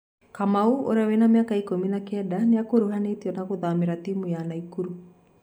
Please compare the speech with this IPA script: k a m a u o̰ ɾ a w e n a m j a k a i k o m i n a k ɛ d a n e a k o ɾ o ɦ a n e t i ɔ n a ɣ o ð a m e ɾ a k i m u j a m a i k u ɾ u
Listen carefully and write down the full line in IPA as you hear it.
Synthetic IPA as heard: k a m a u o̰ ɾ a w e n a m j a k a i k o m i n a k ɛ d a n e a k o ɾ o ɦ a n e t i ɔ n a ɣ o ð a m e ɾ a t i m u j a n a i k u ɾ u